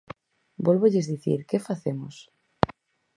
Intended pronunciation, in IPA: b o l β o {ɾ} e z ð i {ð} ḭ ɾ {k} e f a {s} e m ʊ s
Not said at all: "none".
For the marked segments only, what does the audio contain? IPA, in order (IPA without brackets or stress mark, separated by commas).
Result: ʎ, θ, k, θ